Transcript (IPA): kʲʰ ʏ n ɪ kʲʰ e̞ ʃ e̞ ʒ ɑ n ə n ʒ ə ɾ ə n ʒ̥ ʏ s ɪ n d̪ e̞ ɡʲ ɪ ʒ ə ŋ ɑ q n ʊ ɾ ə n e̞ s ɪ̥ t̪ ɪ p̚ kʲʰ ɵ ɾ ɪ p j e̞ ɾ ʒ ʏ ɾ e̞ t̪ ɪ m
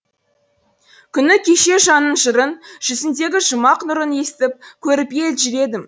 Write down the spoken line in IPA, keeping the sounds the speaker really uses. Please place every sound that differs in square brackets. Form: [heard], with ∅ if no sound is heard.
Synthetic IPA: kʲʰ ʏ n ɪ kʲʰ e̞ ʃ e̞ ʒ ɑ n ə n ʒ ə ɾ ə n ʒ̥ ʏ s ɪ n d̪ e̞ ɡʲ ɪ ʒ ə [m] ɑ q n ʊ ɾ ə n e̞ s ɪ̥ t̪ ɪ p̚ kʲʰ ɵ ɾ ɪ p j e̞ [l] ʒ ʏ ɾ e̞ [d̪] ɪ m